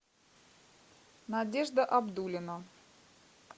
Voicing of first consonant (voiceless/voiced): voiced